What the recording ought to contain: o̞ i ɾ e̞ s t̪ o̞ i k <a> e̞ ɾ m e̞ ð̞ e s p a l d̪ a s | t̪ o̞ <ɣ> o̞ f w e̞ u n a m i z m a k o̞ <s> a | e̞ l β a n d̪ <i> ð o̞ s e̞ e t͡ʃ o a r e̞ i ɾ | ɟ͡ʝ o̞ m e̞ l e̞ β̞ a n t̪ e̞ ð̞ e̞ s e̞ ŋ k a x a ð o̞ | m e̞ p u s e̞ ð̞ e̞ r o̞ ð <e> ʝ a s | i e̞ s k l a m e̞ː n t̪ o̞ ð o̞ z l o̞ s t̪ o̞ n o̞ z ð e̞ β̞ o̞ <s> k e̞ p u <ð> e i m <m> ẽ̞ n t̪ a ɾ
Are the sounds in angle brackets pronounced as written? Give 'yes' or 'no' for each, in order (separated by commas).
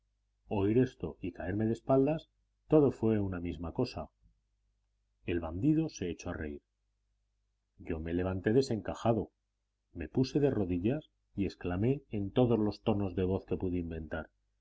yes, no, yes, yes, no, no, yes, no